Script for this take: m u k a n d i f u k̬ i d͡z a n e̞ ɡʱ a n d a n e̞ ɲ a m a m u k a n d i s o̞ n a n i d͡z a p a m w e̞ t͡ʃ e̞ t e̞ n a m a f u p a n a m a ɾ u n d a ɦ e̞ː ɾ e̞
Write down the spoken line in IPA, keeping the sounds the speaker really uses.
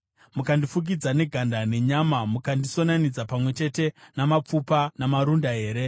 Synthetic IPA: m u k a n d i f u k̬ i d͡z a n e̞ ɡʱ a n d a n e̞ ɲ a m a m u k a n d i s o̞ n a n i d͡z a p a m w e̞ t͡ʃ e̞ t e̞ n a m a p͡f u p a n a m a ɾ u n d a ɦ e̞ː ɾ e̞